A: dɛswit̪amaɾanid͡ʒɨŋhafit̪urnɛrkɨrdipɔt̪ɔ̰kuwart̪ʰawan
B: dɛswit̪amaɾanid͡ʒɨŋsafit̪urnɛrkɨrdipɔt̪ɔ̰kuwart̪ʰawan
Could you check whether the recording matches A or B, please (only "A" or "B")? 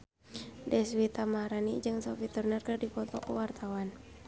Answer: B